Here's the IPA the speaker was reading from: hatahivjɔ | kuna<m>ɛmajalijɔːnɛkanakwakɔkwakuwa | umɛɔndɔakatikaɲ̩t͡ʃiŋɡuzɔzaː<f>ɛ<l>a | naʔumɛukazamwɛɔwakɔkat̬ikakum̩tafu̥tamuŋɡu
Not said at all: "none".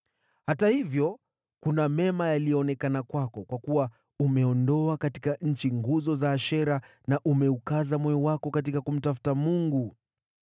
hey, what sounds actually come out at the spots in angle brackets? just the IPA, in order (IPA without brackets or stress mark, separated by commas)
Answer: m, ʃ, ɾ